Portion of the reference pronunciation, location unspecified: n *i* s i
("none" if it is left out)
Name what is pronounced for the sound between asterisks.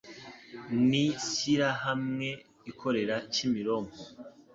i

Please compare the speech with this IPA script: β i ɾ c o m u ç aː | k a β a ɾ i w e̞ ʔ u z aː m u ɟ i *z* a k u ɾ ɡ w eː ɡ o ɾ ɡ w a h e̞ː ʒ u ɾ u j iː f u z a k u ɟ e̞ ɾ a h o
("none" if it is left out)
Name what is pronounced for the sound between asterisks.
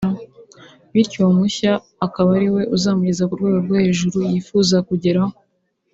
z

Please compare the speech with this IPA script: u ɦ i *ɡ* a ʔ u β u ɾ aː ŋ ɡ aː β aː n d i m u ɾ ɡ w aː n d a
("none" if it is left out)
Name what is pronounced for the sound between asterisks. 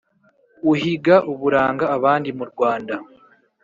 ɡ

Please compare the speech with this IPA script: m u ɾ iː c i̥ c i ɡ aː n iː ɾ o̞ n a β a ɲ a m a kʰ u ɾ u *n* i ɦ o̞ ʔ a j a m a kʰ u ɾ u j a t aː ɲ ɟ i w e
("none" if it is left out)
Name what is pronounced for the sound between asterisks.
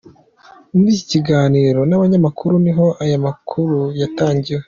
n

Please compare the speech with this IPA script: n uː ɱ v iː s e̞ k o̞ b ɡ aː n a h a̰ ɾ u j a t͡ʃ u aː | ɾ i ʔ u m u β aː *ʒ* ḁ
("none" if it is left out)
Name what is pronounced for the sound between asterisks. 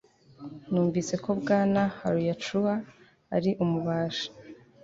ʃ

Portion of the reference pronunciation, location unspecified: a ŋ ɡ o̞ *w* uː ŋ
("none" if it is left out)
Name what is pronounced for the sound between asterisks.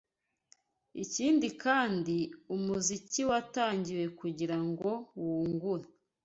w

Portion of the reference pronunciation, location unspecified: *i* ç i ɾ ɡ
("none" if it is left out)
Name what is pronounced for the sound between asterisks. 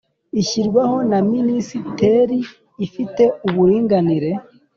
i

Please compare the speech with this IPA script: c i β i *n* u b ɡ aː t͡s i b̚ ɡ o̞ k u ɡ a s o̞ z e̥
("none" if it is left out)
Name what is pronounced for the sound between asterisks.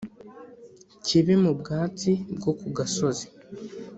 m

